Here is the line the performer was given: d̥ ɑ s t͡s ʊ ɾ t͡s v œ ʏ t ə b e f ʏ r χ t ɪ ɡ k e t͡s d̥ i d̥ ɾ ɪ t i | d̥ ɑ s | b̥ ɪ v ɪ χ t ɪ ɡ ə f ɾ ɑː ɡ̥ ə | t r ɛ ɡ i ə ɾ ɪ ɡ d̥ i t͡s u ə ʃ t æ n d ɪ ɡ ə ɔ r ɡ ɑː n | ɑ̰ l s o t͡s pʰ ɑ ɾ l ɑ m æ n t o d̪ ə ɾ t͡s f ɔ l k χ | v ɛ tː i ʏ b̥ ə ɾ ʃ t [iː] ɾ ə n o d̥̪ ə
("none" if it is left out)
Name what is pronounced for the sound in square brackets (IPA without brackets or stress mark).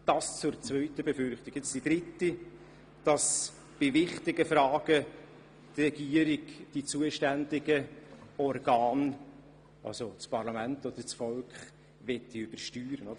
yː